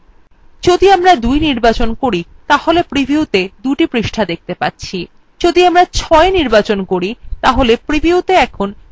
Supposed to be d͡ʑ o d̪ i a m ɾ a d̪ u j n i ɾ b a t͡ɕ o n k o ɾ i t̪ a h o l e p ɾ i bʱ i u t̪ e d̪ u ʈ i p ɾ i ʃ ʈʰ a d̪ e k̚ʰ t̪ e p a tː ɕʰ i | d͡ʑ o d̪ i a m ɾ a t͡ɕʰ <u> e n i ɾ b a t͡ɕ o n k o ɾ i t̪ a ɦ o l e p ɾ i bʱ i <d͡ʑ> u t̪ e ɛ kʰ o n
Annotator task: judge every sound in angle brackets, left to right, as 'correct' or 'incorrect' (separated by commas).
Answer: incorrect, incorrect